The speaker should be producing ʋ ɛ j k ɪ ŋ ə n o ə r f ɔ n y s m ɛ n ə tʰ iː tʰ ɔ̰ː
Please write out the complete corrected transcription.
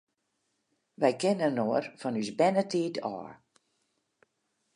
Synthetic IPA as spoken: ʋ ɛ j k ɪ n ə n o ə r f ɔ n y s b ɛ n ə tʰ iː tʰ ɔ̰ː